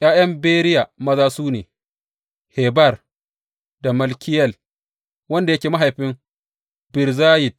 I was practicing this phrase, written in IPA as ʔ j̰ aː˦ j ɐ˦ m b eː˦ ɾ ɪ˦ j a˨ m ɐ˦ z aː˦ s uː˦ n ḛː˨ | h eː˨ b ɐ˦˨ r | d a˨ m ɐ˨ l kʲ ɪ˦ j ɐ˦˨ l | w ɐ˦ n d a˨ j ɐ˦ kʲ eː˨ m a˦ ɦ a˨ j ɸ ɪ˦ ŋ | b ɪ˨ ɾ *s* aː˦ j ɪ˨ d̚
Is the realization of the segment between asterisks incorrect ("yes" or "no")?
yes